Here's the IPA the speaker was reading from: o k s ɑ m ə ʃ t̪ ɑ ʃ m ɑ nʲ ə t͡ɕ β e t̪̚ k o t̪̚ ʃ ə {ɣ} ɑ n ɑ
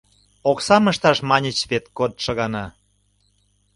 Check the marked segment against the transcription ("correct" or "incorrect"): correct